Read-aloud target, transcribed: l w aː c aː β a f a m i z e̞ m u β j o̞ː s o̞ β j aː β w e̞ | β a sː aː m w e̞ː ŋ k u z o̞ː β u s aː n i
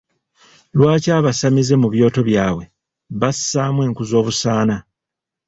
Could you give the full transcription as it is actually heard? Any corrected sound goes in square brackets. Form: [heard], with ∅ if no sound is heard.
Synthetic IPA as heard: l w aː c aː β a [s] a m i z e̞ m u β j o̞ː [t] o̞ β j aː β w e̞ | β a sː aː m w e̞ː ŋ k u z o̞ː β u s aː n [a]